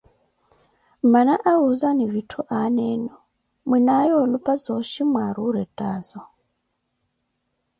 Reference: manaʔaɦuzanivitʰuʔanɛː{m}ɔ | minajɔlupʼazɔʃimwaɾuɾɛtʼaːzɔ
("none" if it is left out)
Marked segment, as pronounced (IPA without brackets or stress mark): n